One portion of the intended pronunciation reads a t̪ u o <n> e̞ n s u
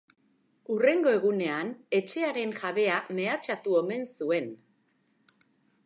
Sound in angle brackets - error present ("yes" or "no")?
yes